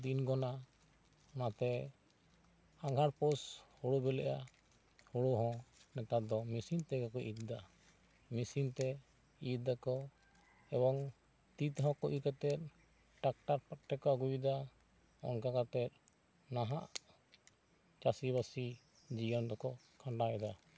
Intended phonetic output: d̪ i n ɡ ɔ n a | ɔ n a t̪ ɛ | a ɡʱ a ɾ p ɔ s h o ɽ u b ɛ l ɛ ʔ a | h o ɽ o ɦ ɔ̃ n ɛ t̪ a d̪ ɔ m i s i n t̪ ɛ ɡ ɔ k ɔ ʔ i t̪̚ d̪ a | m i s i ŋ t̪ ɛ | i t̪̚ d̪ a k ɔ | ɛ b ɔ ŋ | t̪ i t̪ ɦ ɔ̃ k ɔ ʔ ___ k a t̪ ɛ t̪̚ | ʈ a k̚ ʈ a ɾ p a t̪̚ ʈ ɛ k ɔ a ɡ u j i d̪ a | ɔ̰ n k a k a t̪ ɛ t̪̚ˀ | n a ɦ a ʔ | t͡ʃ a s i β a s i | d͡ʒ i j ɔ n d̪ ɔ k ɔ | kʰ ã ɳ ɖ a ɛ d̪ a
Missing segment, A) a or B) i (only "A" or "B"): B